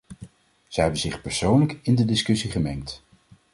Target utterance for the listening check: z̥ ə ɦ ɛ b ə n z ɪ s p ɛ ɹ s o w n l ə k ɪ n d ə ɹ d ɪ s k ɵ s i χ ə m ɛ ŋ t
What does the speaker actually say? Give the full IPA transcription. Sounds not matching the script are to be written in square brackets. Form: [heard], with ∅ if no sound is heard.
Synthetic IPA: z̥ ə ɦ ɛ b ə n z ɪ [χ] p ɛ ɹ s o w n l ə k ɪ n d ə [∅] d ɪ s k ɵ s i χ ə m ɛ ŋ t